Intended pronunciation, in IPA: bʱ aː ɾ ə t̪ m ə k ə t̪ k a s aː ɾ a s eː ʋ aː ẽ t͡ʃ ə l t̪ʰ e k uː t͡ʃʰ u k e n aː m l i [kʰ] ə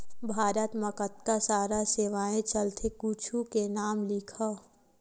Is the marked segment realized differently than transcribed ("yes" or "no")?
no